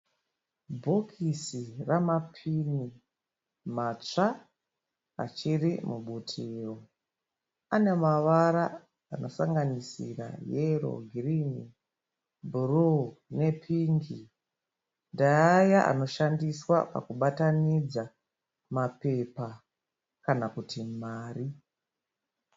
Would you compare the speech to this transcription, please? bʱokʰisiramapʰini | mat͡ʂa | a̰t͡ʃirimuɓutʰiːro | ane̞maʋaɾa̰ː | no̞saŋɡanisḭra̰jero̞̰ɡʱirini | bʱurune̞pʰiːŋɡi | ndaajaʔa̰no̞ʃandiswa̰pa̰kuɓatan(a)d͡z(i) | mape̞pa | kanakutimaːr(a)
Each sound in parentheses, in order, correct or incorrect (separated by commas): incorrect, incorrect, incorrect